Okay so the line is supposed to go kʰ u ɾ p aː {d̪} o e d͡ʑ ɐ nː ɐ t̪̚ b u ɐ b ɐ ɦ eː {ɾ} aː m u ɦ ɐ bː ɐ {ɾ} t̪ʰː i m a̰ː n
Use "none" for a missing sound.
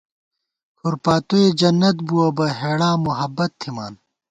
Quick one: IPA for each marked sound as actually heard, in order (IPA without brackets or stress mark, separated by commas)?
t̪, ɽ, none